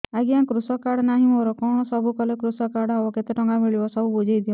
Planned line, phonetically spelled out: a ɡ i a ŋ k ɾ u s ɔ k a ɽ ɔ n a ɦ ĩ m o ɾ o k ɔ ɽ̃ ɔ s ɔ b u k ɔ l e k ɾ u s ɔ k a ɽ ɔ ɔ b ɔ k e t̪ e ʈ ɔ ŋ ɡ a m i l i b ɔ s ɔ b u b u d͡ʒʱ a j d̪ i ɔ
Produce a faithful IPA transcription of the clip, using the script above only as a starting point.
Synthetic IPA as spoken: a ɡ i a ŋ k ɾ u s ɔ k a ɽ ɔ n a ɦ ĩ m o ɾ ɔ k ɔ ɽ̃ ɔ s ɔ b u k ɔ l e k ɾ u s ɔ k a ɽ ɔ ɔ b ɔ k e t̪ e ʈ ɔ ŋ ɡ a m i ɭ i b ɔ s ɔ b u b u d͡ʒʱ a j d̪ i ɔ